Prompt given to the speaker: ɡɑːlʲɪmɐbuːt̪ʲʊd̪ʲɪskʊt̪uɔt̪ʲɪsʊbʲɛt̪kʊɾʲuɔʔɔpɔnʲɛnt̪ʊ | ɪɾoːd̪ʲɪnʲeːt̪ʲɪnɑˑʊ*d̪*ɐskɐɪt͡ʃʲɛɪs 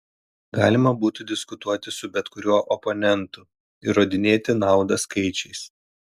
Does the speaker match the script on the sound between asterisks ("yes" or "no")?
yes